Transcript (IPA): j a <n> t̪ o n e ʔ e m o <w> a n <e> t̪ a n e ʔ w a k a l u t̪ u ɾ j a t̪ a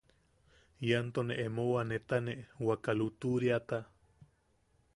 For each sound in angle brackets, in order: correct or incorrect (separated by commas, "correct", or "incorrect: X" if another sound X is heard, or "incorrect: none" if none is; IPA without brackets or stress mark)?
correct, correct, correct